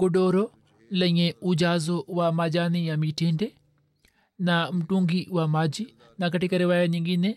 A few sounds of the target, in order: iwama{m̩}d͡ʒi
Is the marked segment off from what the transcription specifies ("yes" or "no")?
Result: yes